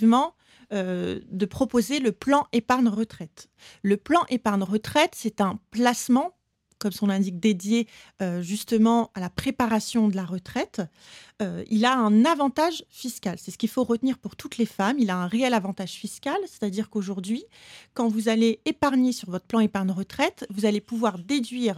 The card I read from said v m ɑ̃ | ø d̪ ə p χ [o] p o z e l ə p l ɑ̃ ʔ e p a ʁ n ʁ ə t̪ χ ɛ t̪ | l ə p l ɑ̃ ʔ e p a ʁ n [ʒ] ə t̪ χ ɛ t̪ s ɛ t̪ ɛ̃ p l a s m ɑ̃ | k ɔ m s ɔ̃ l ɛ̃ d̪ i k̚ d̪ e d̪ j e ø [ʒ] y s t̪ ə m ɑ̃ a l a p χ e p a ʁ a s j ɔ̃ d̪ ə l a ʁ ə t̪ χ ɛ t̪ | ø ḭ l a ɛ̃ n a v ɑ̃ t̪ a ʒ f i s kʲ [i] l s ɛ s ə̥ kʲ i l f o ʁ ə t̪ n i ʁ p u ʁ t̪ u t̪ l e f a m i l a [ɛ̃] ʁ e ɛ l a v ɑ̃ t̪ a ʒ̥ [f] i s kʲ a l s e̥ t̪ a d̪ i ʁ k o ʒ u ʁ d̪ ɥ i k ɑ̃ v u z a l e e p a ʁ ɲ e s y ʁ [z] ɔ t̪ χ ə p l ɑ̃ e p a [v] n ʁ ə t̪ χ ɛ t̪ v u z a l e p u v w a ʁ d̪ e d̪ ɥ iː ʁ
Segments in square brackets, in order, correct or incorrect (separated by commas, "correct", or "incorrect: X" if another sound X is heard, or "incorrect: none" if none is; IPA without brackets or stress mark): incorrect: ɔ, incorrect: ʁ, correct, incorrect: a, correct, correct, incorrect: v, incorrect: ʁ